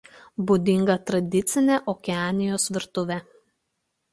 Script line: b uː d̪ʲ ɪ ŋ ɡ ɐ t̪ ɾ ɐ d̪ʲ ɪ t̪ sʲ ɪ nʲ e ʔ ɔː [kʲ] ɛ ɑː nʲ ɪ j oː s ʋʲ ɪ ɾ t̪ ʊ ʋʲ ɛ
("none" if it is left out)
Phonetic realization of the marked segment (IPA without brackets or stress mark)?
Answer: kʲ